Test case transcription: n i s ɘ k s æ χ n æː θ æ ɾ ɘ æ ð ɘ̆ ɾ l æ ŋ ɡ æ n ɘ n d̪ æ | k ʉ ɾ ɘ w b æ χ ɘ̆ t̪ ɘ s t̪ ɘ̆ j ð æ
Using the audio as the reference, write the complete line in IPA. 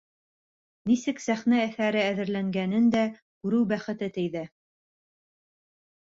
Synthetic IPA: n i s ɘ k s æ χ n æː θ æ ɾ ɘ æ ð ɘ̆ ɾ l æ ŋ ɡ æ n ɘ n d̪ æ | k ʉ ɾ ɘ w b æ χ ɘ̆ t̪ ɘ t̪ ɘ̆ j ð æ